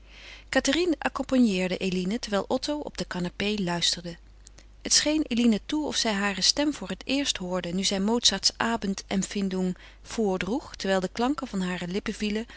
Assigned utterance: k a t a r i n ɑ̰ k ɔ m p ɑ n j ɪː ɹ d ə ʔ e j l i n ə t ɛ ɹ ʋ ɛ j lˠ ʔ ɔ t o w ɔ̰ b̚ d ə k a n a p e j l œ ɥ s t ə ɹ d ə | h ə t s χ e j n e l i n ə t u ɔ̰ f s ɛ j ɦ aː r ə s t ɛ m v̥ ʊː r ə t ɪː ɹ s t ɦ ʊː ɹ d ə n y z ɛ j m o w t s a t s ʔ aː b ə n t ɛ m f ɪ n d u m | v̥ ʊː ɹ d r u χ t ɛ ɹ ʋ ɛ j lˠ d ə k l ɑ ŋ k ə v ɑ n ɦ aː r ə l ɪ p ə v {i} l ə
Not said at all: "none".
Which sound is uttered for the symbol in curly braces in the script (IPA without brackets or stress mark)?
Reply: i